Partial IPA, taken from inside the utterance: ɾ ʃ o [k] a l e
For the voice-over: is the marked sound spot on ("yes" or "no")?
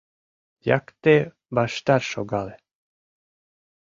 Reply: no